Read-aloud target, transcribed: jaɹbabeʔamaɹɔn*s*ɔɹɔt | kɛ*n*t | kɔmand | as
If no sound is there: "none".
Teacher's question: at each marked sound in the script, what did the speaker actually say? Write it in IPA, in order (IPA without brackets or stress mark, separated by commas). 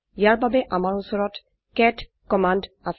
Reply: s, none